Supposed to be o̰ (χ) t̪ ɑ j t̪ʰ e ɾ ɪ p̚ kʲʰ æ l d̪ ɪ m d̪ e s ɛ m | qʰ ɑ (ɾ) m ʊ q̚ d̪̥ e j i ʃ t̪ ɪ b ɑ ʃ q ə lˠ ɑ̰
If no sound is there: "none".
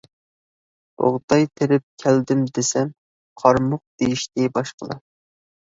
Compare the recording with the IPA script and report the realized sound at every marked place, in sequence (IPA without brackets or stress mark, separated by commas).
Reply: ʁ, ɾ